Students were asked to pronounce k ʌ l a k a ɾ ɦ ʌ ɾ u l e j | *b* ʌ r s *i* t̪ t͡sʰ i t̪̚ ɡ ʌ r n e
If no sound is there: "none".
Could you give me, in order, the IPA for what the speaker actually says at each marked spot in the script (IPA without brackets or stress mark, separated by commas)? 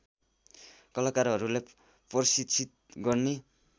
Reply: p, i